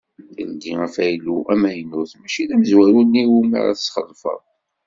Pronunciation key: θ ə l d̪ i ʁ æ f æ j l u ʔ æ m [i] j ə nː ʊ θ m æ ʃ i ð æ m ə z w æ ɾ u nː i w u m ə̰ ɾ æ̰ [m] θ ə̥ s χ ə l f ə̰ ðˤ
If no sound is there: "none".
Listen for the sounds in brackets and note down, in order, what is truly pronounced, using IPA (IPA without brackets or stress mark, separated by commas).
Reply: æ, none